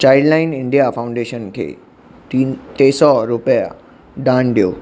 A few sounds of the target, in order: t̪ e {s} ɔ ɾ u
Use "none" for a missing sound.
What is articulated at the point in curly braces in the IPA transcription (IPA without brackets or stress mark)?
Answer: s